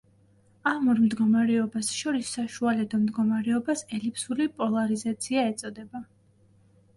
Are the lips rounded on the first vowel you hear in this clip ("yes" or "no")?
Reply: no